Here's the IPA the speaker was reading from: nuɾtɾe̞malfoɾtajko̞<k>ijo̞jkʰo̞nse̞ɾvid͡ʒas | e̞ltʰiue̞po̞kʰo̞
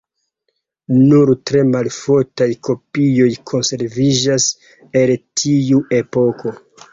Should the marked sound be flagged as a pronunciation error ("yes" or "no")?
yes